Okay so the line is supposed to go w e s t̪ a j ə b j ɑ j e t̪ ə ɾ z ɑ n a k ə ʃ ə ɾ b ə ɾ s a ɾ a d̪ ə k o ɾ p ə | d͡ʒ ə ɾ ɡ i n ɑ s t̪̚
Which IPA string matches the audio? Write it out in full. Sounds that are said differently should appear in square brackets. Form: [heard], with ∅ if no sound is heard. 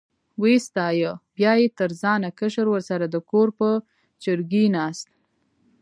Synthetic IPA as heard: w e s t̪ [ɑ] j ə b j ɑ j e t̪ ə ɾ z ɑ n a k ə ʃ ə ɾ [w] ə ɾ s a ɾ a d̪ ə k o ɾ p ə | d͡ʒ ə ɾ ɡ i n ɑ s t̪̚